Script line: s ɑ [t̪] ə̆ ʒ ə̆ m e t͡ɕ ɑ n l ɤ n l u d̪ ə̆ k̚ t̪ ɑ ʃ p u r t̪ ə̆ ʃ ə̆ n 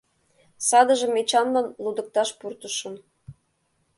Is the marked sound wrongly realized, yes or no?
yes